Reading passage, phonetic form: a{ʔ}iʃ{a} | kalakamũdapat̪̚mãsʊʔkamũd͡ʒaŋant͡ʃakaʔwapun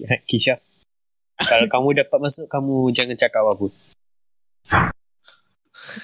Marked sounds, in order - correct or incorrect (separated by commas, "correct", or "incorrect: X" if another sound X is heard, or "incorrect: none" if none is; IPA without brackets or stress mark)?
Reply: incorrect: k, correct